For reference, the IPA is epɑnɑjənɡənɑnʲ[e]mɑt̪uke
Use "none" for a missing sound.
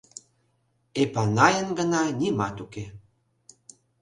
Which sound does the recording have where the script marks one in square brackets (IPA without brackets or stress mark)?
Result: i